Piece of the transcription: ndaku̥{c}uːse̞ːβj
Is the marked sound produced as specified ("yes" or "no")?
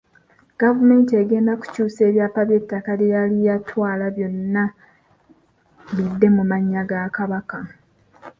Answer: yes